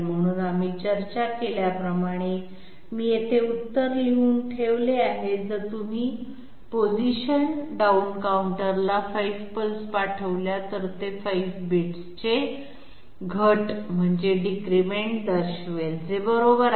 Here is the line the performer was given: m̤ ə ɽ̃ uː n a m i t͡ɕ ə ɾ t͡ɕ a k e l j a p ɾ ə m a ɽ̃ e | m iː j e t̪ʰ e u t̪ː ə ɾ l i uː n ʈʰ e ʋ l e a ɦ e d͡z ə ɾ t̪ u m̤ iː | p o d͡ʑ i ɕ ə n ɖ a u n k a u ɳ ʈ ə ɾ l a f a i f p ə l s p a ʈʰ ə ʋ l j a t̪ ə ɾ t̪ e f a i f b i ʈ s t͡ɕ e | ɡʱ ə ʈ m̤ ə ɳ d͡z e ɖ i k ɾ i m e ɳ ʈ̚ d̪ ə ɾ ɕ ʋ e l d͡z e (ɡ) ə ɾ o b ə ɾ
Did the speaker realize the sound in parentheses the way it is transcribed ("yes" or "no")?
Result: no